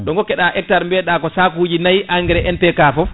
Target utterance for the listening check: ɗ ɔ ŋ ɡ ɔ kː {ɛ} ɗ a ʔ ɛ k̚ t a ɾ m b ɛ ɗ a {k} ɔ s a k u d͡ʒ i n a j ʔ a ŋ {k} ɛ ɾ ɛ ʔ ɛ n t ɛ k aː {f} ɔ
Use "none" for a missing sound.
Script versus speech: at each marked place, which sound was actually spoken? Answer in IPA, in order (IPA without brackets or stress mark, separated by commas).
ɛ, k, ɡ, f